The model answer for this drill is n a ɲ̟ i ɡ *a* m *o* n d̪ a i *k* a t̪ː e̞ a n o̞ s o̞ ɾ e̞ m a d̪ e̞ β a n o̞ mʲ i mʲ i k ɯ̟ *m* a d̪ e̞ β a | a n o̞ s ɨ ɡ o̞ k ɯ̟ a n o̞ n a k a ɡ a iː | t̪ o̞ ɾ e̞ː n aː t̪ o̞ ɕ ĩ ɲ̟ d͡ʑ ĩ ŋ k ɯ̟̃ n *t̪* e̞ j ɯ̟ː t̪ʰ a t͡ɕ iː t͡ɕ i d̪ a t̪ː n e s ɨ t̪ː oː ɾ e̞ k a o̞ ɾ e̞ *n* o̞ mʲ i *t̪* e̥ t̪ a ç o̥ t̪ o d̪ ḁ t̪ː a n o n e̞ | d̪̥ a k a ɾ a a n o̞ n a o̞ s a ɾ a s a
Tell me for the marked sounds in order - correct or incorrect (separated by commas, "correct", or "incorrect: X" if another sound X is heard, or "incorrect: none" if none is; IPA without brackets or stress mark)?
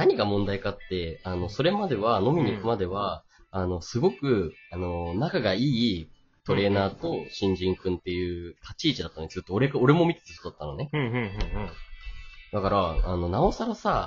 correct, incorrect: õ, correct, correct, correct, incorrect: m, correct